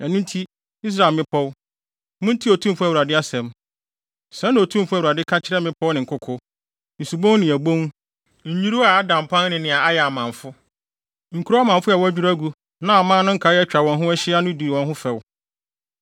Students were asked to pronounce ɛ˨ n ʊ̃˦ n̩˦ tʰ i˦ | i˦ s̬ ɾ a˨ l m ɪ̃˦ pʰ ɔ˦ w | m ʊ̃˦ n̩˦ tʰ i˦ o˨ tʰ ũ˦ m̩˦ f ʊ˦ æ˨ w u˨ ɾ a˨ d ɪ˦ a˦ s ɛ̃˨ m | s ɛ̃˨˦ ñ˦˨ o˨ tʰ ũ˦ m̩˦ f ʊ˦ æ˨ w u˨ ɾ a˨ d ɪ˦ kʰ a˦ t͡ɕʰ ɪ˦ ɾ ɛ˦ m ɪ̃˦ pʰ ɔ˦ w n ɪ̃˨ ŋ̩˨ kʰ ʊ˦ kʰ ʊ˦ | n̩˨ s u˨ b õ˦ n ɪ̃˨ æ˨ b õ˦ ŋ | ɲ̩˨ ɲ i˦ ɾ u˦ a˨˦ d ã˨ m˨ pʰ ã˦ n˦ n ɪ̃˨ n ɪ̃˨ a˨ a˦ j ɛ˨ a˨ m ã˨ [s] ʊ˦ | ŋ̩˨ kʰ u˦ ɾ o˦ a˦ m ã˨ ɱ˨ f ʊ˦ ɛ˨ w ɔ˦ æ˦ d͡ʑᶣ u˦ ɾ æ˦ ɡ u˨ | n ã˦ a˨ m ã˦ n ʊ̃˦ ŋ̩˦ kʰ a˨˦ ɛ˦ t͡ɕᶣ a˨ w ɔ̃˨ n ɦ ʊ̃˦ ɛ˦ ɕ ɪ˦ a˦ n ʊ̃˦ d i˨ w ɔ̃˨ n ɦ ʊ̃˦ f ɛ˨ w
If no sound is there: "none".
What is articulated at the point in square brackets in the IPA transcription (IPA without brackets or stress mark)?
f